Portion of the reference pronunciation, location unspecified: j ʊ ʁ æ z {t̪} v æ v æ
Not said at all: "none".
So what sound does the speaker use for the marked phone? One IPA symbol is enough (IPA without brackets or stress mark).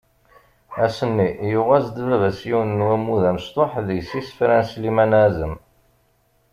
d̪